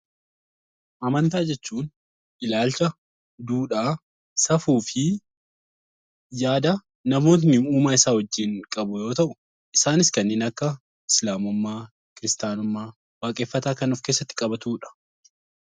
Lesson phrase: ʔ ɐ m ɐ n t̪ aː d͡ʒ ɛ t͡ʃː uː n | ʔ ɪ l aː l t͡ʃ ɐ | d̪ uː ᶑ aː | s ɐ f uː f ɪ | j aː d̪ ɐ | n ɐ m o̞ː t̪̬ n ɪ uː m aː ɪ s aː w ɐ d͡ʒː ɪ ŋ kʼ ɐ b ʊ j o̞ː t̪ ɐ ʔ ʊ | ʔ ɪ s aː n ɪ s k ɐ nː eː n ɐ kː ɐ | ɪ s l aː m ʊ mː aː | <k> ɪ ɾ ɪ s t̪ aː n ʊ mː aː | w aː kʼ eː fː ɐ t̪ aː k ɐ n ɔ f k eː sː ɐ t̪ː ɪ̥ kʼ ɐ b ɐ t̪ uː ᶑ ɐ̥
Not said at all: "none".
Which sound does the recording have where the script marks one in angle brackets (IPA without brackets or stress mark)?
k